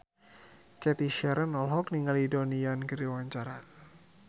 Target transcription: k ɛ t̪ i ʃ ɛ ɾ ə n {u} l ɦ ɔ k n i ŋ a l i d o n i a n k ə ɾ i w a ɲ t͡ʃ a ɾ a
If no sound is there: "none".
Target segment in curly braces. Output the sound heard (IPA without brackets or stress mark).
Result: ɔ